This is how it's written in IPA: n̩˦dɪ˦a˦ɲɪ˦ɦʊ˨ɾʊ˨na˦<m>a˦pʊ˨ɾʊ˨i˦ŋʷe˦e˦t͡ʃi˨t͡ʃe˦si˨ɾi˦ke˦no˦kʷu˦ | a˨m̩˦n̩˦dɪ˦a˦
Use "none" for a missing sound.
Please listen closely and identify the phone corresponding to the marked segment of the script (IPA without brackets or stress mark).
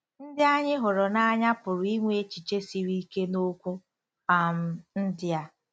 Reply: ɲ